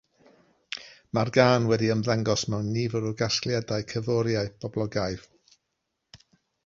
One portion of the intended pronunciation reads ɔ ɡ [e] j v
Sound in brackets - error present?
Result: yes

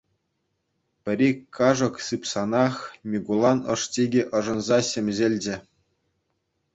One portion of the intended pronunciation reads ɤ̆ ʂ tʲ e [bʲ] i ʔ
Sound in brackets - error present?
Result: yes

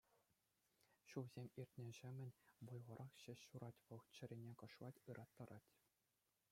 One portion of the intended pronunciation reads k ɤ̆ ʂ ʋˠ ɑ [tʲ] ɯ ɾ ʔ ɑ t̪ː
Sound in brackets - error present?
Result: no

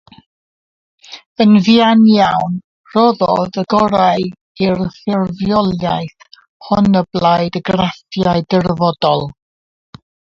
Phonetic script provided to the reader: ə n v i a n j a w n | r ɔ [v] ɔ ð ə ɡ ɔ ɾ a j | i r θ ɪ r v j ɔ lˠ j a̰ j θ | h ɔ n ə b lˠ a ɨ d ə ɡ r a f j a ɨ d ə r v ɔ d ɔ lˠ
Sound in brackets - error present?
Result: yes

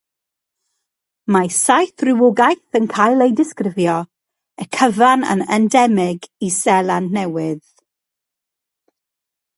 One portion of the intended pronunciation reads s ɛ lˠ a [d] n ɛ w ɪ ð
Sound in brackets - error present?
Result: yes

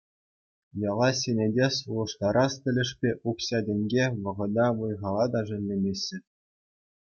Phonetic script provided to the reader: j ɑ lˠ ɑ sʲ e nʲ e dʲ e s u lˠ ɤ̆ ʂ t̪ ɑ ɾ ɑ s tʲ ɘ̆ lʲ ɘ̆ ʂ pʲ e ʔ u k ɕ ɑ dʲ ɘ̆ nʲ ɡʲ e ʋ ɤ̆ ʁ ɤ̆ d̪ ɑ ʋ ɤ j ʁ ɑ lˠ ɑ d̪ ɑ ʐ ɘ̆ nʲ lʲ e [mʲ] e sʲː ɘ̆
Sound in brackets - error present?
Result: no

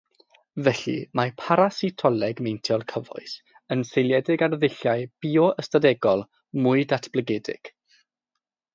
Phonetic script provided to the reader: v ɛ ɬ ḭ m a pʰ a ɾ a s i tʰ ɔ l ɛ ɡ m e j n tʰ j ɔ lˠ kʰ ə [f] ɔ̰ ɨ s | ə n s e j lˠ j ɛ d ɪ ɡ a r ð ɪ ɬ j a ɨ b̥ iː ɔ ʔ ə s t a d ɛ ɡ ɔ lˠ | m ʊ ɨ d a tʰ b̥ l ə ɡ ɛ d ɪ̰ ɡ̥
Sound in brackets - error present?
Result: yes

